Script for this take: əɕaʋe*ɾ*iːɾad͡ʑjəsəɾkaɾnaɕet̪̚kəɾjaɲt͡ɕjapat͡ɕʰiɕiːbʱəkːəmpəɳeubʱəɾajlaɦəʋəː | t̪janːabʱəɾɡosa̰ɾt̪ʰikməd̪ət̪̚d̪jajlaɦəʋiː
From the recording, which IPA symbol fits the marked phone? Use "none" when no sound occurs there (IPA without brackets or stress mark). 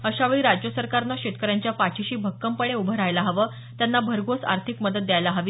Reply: ɭ